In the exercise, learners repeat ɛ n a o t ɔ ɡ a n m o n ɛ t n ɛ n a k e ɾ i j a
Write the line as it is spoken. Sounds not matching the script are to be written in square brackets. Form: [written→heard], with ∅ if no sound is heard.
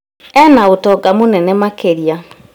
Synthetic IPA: ɛ n a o t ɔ ɡ a [n→∅] m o n ɛ [t→∅] n ɛ [n→m] a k e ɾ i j a